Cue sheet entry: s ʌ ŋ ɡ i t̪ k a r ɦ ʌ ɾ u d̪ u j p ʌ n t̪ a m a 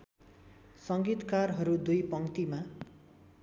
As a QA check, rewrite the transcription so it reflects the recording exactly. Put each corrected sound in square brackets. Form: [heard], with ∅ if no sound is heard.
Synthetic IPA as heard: s ʌ ŋ ɡ i t̪ k a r ɦ ʌ ɾ u d̪ u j p ʌ [ŋ] t̪ [i] m a